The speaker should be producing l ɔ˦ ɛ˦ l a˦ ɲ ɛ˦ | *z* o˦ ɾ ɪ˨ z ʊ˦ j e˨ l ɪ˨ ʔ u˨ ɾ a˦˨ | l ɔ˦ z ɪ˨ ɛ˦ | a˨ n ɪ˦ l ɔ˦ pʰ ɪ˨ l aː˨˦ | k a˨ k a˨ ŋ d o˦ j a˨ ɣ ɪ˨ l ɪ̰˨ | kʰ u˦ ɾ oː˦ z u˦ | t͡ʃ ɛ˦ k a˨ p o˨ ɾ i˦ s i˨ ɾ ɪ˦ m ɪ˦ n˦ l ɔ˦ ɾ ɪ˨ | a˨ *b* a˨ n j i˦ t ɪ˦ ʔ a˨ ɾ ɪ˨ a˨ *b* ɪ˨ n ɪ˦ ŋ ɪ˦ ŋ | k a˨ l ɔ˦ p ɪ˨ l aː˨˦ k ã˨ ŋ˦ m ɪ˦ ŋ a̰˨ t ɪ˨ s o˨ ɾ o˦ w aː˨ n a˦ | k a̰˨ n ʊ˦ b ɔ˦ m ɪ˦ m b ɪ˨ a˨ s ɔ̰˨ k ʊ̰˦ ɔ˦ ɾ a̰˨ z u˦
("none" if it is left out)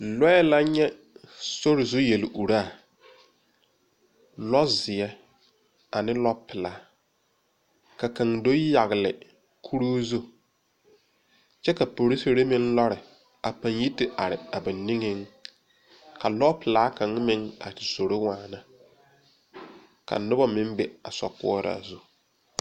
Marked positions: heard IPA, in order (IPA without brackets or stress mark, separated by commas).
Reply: s, p, b